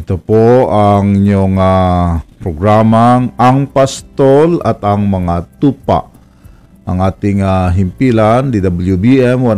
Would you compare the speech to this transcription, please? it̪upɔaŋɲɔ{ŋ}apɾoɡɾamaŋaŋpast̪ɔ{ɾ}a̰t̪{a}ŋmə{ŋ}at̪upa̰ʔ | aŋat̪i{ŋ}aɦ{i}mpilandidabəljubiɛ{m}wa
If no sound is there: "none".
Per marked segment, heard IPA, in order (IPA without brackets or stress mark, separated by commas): ŋ, l, a, ŋ, ŋ, i, m